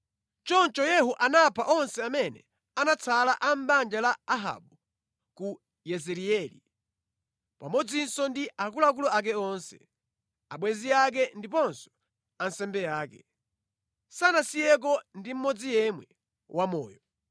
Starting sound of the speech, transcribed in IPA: t͡ʃ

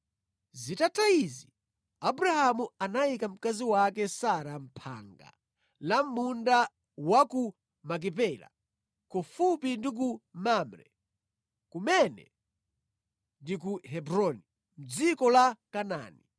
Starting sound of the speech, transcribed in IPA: z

